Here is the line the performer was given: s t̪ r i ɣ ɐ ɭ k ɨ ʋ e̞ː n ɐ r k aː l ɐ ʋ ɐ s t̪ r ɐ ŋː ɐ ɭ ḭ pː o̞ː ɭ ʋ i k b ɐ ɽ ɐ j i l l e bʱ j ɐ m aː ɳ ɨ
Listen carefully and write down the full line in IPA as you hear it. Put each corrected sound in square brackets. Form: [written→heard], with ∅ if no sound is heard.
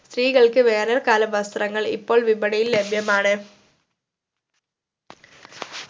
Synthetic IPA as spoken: s t̪ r [i→iː] ɣ ɐ ɭ k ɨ ʋ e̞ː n ɐ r k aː l ɐ ʋ ɐ s t̪ r ɐ ŋː ɐ ɭ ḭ pː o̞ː ɭ ʋ i [k→∅] b ɐ ɽ ɐ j i l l e bʱ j ɐ m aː ɳ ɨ